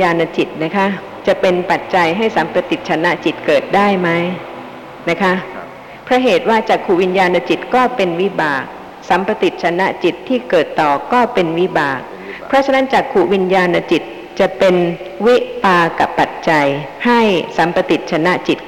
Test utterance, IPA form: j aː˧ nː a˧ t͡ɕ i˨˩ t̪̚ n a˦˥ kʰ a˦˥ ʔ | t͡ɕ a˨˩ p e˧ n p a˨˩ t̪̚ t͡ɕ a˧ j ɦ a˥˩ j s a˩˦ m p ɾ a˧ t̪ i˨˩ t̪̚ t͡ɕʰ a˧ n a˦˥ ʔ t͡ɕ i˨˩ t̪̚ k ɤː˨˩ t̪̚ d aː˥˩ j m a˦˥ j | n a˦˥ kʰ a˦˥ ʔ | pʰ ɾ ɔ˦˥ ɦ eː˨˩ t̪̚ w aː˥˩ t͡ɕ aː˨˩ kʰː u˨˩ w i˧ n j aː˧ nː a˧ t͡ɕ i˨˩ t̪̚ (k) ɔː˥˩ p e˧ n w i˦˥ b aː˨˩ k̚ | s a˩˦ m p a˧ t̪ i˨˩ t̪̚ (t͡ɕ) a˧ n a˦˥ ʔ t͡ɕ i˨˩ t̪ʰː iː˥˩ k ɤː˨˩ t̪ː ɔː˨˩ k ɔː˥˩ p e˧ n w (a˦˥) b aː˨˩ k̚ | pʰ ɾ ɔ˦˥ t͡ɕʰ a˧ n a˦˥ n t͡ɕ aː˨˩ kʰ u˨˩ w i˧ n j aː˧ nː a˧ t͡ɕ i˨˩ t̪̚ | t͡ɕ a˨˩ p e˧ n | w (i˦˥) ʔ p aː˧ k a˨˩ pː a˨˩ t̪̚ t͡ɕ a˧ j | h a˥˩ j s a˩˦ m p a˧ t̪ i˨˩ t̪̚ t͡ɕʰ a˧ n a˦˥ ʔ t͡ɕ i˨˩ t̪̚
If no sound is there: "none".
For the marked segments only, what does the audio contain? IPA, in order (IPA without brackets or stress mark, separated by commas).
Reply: k, t͡ɕʰ, i˦˥, i˦˥